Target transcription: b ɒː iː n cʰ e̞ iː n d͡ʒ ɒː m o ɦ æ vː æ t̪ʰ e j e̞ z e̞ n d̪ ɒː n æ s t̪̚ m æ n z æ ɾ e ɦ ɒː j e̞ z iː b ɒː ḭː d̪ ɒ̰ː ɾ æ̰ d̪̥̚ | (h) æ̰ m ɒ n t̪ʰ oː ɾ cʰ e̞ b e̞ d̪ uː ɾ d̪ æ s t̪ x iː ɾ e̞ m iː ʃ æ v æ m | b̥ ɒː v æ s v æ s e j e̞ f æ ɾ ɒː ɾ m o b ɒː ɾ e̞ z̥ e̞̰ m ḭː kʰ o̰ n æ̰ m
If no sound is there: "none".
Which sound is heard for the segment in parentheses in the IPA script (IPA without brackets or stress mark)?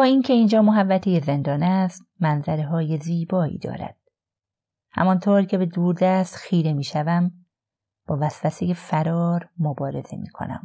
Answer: h